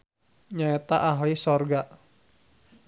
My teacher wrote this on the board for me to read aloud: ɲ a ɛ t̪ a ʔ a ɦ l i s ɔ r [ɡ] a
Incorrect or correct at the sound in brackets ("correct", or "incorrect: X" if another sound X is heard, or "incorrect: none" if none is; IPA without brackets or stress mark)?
correct